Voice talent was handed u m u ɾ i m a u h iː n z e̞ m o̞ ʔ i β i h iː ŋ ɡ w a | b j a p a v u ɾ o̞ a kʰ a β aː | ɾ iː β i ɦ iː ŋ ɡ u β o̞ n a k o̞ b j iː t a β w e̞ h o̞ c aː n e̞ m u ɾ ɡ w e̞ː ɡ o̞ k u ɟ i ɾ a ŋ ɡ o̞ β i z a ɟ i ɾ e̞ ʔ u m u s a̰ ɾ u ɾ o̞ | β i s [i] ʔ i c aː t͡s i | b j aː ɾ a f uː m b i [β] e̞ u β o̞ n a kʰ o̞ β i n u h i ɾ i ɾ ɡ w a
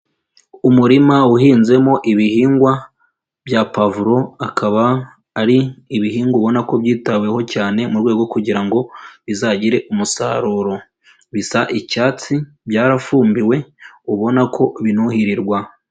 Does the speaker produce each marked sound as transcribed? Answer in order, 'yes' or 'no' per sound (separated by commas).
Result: no, no